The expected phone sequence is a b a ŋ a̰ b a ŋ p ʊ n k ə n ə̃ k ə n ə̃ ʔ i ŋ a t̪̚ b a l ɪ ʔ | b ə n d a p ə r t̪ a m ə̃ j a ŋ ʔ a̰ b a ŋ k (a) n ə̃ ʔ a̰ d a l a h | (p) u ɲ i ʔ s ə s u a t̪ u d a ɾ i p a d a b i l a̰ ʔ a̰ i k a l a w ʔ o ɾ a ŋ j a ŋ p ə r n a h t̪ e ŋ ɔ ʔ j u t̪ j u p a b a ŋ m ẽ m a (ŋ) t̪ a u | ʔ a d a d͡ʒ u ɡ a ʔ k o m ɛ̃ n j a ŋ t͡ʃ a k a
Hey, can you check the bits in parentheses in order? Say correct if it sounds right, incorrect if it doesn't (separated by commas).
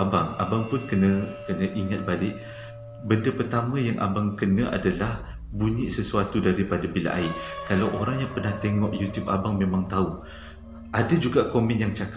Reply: incorrect, incorrect, correct